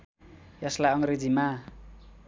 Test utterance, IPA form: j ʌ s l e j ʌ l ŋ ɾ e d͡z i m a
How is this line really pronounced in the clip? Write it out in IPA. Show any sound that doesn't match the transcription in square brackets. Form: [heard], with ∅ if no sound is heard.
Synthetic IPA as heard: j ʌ s l [a] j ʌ [∅] ŋ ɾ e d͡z i m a